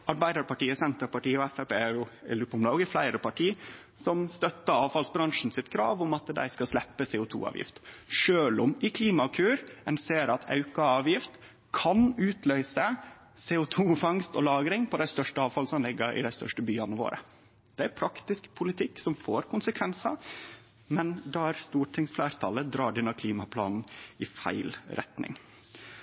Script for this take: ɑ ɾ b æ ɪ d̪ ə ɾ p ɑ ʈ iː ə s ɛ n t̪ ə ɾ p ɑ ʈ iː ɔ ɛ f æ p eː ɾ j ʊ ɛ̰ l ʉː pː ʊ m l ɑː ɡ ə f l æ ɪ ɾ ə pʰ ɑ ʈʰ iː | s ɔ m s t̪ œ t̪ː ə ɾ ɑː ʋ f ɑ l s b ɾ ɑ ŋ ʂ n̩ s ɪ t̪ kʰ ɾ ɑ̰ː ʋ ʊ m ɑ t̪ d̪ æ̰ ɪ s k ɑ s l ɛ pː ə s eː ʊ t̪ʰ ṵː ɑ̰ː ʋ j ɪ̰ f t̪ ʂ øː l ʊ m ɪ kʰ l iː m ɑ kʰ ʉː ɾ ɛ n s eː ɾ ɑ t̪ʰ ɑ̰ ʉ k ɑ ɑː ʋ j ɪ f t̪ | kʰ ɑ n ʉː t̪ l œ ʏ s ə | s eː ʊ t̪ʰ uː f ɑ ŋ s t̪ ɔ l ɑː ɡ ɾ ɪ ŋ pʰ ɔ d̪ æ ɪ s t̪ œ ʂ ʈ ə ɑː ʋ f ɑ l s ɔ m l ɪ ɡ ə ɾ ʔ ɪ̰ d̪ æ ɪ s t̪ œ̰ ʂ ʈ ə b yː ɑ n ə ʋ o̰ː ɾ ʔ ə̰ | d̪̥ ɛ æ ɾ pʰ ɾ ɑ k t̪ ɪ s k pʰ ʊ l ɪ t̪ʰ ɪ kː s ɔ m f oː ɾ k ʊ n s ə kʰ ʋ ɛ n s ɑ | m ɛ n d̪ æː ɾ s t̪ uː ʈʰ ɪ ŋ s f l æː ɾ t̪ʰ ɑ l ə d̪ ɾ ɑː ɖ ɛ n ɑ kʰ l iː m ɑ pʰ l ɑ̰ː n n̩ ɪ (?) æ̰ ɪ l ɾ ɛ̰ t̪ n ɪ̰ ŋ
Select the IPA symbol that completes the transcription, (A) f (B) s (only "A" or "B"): A